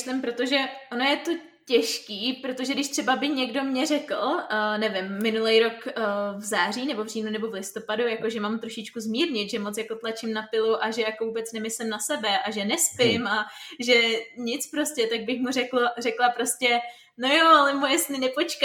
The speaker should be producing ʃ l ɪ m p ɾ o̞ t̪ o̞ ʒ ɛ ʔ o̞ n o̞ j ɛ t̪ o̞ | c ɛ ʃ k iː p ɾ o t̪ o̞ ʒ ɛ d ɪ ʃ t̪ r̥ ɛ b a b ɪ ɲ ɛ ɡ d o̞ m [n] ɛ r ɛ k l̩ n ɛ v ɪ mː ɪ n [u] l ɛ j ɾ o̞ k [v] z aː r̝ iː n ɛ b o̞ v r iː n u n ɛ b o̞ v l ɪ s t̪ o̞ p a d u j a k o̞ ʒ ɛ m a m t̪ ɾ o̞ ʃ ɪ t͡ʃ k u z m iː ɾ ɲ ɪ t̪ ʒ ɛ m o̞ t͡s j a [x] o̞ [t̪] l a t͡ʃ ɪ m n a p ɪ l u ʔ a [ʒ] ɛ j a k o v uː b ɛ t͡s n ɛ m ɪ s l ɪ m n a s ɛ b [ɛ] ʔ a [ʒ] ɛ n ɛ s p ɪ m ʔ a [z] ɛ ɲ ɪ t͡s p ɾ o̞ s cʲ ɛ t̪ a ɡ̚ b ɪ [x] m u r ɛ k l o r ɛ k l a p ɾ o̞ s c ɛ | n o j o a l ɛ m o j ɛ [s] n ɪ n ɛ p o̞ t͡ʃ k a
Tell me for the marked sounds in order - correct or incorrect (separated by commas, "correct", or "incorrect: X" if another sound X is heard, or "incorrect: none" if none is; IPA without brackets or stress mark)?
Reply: incorrect: ɲ, correct, correct, incorrect: k, correct, correct, correct, correct, incorrect: ʒ, correct, correct